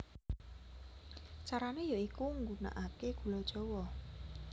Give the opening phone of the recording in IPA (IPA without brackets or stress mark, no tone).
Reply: t͡ʃ